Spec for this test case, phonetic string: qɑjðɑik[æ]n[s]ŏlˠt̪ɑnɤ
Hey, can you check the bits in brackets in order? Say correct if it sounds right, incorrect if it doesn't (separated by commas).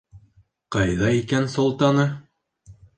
correct, correct